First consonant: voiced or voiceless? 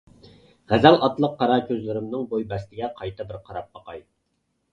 voiced